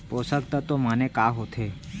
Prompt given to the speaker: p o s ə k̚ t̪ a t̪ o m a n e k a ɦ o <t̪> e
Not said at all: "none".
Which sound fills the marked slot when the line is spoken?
t̪ʰ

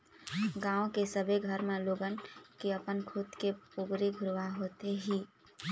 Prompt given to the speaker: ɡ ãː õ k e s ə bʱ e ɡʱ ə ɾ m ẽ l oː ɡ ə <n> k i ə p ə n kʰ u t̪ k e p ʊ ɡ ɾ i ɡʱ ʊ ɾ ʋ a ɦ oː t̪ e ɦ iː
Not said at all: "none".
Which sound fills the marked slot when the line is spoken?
n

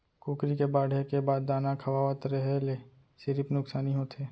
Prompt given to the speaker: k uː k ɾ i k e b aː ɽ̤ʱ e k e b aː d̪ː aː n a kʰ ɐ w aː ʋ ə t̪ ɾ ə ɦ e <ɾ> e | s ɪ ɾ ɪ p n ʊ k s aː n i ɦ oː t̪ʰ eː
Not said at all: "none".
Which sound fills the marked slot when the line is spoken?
l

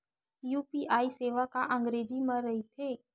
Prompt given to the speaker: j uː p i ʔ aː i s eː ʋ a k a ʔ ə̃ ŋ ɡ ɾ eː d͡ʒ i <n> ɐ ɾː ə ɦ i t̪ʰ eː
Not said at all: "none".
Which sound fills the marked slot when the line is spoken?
m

